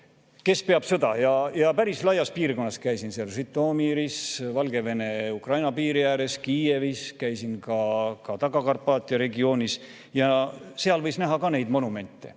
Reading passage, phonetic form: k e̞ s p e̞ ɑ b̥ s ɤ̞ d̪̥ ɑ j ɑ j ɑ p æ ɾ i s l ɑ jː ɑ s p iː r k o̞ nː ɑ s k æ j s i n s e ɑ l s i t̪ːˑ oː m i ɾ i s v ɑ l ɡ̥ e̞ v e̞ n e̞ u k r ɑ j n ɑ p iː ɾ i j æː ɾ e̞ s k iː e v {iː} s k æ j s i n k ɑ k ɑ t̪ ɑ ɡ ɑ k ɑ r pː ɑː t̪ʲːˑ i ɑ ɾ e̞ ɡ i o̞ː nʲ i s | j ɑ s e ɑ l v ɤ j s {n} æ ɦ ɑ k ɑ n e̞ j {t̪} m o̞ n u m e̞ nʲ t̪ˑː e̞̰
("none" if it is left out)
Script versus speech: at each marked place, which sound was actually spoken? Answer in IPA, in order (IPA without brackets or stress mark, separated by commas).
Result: i, n, d̪